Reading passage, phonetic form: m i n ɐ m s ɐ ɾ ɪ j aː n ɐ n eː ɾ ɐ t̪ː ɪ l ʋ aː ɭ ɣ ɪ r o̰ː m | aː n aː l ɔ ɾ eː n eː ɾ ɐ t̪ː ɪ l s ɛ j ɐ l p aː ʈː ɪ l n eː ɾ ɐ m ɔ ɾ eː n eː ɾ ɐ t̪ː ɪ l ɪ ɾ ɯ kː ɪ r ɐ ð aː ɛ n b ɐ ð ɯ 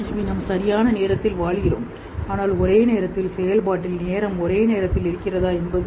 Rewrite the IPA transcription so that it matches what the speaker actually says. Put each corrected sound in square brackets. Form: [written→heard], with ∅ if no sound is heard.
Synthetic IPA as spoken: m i n ɐ m s ɐ ɾ ɪ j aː n ɐ n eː ɾ ɐ t̪ː ɪ l ʋ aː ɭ ɣ ɪ r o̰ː m | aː n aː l ɔ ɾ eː n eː ɾ ɐ t̪ː ɪ l s ɛ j ɐ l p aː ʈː ɪ l n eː ɾ ɐ m ɔ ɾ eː n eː ɾ ɐ t̪ː ɪ l ɪ ɾ ɯ kː ɪ r ɐ ð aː ɛ n b ɐ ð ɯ